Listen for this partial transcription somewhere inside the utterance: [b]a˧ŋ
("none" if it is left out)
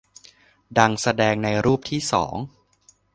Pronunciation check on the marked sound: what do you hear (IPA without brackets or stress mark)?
d